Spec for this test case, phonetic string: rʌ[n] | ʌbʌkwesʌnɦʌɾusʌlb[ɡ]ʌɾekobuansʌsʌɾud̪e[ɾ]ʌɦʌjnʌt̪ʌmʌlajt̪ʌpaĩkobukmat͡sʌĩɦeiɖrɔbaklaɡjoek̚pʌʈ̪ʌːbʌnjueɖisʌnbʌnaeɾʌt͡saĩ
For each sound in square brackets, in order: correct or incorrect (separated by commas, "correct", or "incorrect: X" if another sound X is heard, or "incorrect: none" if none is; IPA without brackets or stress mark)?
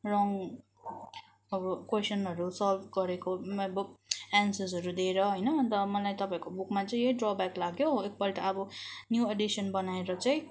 incorrect: ŋ, correct, correct